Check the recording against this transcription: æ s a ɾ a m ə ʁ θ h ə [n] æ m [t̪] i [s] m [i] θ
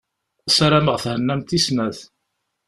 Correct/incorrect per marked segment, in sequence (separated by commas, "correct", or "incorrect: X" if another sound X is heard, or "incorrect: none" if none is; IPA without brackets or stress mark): incorrect: nː, correct, correct, incorrect: æ